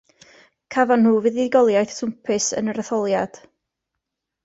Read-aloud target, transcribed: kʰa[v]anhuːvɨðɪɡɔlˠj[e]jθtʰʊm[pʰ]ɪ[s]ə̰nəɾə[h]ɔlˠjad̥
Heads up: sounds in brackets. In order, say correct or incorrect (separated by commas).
correct, incorrect, correct, correct, incorrect